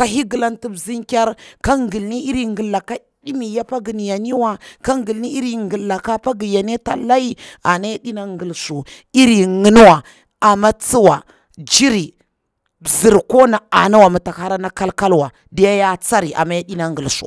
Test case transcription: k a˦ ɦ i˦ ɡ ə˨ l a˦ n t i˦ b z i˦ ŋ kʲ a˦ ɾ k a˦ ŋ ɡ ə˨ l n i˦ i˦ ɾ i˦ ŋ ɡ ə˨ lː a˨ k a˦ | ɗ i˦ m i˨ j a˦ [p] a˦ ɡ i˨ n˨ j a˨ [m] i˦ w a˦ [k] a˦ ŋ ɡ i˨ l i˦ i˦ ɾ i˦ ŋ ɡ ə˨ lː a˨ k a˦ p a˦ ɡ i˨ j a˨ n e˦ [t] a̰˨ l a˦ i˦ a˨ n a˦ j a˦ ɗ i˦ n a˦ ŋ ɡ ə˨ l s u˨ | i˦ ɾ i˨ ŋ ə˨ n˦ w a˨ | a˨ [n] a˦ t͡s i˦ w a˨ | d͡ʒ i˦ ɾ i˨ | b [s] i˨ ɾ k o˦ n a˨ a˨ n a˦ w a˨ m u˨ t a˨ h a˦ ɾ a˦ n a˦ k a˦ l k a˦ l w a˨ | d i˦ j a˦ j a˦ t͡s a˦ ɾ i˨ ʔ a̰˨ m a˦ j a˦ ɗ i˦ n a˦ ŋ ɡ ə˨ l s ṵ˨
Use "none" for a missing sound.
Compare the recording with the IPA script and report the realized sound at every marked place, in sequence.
p, n, k, t, m, z

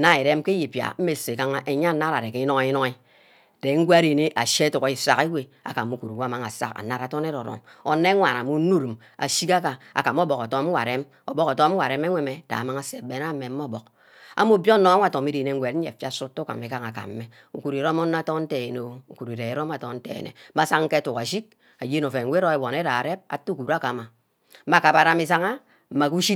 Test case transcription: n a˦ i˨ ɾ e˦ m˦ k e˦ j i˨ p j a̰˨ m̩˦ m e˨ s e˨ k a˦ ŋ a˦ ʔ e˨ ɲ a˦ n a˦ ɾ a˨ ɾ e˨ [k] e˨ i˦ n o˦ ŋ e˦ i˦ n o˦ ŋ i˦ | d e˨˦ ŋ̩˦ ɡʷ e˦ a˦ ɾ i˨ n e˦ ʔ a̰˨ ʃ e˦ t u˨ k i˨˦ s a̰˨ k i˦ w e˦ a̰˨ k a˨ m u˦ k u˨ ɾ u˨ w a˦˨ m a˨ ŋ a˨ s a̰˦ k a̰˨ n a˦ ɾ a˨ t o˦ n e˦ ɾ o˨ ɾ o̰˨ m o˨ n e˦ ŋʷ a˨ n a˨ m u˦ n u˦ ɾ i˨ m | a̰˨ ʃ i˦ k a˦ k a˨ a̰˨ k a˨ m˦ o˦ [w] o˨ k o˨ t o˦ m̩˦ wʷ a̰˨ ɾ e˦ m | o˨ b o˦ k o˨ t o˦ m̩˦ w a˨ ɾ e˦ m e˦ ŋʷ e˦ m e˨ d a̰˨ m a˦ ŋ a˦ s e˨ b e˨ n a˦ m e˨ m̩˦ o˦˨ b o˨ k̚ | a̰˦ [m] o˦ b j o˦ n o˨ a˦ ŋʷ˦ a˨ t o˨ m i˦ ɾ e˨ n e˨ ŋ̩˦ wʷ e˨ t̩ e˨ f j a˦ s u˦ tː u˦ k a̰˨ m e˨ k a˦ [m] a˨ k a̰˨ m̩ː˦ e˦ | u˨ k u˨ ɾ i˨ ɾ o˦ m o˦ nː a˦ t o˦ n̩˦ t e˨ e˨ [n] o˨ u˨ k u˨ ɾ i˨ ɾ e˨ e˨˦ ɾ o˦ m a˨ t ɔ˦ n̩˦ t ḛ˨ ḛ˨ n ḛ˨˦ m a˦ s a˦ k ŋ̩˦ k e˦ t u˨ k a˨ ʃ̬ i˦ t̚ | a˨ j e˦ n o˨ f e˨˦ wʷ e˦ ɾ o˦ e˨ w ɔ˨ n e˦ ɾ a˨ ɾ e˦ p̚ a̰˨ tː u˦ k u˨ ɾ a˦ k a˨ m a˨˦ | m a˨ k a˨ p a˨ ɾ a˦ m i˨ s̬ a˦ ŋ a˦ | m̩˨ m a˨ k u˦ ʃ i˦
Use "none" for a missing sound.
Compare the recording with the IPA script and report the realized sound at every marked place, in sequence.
k, b, m, ŋ, n

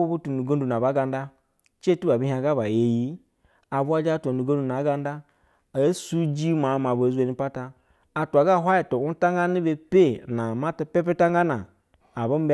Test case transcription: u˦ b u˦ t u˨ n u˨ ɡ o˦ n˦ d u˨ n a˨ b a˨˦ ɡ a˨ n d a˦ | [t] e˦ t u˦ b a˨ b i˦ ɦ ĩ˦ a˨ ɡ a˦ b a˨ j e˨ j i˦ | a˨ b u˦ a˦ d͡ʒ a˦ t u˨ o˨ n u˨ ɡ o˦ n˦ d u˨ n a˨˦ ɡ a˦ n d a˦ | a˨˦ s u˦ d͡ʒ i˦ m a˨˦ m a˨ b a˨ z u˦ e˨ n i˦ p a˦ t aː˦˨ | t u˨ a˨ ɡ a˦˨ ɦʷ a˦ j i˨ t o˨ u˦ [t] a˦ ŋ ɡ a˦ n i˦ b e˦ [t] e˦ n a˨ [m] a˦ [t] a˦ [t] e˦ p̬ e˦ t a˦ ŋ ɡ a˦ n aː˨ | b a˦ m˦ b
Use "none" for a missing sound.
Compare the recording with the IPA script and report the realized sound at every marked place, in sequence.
t͡ʃ, t, p, m, t, p

